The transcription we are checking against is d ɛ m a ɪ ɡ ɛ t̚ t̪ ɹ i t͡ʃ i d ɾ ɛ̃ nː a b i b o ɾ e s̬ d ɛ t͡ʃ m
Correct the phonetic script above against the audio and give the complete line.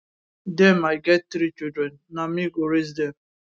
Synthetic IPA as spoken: d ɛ m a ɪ ɡ ɛ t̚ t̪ ɾ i t͡ʃ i d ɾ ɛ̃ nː a m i ɡ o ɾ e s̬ d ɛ m